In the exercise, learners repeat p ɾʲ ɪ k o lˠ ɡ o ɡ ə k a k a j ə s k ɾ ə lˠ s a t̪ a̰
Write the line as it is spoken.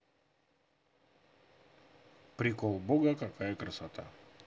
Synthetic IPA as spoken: p ɾʲ ɪ k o lˠ b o ɡ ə k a k a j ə k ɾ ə s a t̪ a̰